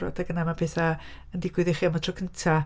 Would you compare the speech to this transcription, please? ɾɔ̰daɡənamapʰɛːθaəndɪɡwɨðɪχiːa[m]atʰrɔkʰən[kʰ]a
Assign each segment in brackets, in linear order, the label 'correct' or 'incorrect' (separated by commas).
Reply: correct, incorrect